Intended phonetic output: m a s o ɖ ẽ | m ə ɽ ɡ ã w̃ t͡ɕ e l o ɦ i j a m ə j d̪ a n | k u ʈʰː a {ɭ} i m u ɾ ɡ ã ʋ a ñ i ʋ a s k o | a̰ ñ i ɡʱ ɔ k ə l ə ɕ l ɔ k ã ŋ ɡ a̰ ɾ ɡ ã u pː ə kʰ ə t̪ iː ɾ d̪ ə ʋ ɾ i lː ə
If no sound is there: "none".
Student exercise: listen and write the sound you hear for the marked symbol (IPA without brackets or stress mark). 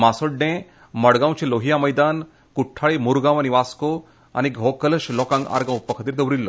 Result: ɭ